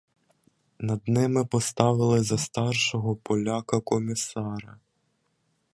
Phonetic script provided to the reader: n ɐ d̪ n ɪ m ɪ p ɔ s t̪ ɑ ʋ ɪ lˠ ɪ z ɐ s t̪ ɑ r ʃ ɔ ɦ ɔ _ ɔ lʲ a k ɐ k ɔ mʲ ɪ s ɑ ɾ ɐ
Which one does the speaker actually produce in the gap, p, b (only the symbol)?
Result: p